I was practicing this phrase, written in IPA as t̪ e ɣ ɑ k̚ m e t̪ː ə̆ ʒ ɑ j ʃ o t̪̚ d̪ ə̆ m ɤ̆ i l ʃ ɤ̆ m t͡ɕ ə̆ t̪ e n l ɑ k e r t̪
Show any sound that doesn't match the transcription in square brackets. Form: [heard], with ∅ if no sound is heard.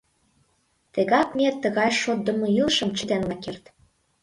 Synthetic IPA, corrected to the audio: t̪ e ɣ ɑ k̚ m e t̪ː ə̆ [ɣ] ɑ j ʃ o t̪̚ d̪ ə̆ m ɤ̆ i l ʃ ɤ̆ m t͡ɕ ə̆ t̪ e n l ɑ k e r t̪